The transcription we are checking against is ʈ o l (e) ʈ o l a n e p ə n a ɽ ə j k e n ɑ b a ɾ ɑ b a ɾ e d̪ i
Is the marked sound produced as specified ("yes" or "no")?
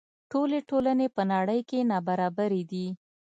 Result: yes